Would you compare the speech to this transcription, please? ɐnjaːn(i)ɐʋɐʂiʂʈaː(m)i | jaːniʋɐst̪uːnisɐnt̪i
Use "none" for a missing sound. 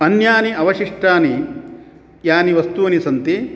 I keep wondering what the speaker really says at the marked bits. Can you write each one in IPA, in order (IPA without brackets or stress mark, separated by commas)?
i, n